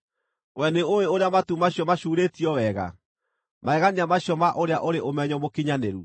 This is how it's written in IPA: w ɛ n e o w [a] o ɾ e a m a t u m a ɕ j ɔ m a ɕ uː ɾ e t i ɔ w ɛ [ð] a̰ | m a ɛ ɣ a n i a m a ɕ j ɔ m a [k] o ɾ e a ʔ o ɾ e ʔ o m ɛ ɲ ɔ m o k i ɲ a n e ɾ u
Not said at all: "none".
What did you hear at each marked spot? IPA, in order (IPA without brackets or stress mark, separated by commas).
e, ɣ, ʔ